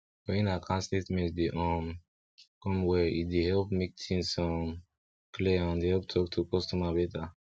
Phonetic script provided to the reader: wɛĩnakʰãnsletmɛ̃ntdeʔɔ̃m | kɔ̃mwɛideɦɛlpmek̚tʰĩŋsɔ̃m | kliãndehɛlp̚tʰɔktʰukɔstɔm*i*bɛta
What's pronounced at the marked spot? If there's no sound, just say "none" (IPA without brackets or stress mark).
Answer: a